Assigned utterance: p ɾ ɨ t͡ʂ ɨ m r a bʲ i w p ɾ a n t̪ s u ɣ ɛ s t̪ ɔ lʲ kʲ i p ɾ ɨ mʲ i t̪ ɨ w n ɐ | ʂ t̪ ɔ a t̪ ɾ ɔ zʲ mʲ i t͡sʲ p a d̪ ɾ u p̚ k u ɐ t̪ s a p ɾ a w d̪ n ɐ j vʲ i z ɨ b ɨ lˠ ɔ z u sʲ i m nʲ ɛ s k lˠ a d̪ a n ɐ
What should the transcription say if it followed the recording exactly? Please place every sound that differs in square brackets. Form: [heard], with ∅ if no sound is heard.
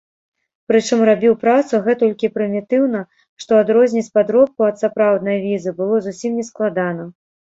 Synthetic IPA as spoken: p ɾ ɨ t͡ʂ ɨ m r a bʲ i w p ɾ a [∅] t̪ s u ɣ ɛ [∅] t̪ ɔ lʲ kʲ i p ɾ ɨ mʲ i t̪ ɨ w n ɐ | ʂ t̪ ɔ a [d̪] ɾ ɔ zʲ [nʲ] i t͡sʲ p a d̪ ɾ [ɔ] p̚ k u ɐ t̪ s a p ɾ a w d̪ n ɐ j vʲ i z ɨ b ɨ lˠ ɔ z u sʲ i m nʲ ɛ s k lˠ a d̪ a n ɐ